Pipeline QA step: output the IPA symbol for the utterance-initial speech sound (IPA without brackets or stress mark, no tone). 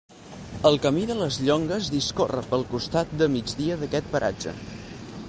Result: ə